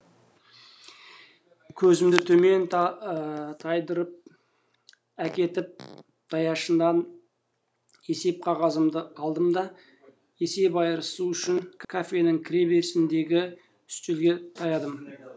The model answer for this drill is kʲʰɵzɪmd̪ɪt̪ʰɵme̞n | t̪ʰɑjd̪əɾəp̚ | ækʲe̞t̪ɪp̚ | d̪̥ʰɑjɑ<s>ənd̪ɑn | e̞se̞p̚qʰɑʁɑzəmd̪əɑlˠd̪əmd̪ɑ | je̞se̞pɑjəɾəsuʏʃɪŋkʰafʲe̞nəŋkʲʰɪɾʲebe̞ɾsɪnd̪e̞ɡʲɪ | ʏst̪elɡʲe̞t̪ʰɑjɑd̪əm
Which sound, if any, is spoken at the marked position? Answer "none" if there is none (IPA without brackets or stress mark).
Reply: ʃ